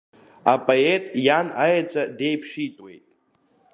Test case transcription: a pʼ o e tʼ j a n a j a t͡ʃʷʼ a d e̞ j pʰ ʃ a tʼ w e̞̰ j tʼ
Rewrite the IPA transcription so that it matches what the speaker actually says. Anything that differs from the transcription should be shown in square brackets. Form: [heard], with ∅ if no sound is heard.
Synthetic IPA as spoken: a pʼ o e tʼ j a n a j a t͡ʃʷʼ a d e̞ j pʰ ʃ [i] tʼ w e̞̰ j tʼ